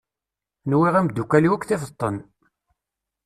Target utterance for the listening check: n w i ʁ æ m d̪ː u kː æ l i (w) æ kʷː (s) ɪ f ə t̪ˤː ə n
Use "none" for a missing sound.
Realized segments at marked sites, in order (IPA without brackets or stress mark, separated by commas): w, θ